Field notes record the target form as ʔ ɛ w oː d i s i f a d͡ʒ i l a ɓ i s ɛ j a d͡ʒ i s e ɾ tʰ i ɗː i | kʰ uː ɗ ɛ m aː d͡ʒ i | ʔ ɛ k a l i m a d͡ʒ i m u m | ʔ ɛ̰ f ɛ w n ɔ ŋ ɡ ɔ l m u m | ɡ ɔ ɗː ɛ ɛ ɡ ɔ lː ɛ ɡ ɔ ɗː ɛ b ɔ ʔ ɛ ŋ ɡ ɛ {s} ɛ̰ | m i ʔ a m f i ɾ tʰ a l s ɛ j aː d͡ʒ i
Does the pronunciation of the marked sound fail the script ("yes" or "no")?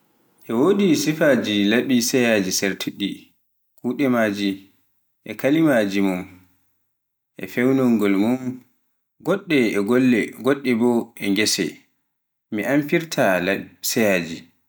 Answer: no